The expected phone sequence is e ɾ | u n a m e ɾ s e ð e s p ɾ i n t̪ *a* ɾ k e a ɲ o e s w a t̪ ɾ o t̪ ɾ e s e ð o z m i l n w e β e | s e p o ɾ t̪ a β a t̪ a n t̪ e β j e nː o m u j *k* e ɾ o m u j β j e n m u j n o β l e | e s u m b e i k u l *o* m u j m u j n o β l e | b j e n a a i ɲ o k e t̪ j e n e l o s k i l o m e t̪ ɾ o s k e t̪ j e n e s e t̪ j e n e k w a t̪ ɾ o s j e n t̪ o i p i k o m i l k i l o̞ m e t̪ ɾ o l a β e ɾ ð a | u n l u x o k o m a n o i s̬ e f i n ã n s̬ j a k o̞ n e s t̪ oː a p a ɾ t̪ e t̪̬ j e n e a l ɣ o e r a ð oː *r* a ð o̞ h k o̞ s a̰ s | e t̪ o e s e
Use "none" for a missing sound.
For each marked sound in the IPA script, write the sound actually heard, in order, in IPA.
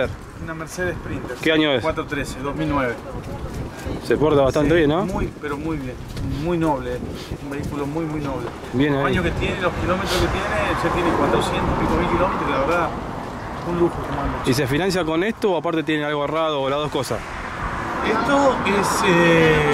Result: e, p, o, l

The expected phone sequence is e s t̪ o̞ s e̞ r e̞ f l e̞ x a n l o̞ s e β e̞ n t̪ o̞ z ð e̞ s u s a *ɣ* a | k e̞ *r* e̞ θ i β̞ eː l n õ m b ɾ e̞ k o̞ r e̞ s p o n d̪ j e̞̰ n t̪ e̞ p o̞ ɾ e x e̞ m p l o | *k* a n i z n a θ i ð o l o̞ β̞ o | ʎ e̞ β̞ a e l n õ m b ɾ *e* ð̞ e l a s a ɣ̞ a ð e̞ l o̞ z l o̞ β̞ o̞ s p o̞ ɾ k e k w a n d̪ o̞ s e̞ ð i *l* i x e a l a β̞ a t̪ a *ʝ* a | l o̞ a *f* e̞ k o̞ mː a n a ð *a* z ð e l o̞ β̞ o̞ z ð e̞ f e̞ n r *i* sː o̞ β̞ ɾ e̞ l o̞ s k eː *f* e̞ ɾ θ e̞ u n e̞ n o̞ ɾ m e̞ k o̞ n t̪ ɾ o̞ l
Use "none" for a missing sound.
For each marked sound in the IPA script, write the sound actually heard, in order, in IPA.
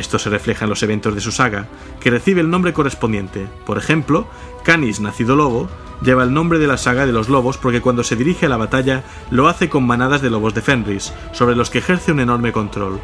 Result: ɣ, r, k, e, ɾ, ʎ, θ, a, i, x

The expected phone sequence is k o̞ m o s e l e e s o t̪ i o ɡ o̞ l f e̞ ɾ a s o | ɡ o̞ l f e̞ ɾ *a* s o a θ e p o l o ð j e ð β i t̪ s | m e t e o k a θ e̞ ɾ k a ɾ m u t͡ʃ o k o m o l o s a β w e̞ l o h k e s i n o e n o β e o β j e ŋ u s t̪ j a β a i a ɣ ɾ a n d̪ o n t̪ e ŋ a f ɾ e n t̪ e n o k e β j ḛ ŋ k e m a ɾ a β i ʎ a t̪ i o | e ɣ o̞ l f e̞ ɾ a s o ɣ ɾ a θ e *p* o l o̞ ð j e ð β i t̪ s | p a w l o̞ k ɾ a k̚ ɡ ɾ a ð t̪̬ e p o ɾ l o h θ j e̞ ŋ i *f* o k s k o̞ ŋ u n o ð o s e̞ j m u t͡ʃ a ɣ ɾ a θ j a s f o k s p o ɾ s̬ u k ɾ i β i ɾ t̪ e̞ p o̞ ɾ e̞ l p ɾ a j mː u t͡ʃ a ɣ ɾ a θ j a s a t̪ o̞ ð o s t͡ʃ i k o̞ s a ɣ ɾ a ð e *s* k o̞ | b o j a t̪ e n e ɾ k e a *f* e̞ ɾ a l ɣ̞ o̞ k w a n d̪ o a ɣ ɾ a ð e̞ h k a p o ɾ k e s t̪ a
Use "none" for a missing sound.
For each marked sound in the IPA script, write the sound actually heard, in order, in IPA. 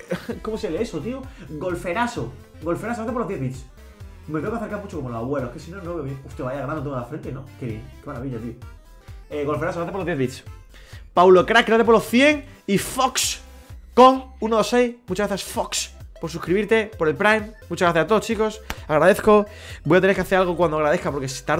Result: a, p, f, θ, θ

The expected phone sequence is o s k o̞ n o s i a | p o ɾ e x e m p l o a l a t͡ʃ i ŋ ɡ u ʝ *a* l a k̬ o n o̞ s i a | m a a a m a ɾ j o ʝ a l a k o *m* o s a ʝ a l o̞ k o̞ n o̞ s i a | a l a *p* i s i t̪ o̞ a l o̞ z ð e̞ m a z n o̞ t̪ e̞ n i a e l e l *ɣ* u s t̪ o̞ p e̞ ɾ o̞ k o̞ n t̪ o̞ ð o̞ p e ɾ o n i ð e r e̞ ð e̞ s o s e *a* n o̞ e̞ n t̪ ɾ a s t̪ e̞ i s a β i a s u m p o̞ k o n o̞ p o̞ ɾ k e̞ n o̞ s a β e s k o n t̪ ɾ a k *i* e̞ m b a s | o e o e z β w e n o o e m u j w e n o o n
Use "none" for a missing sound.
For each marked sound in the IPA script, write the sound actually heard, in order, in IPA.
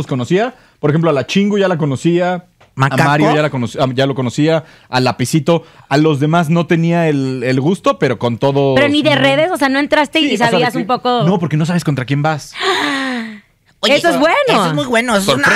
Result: a, n, p, ɣ, a, j

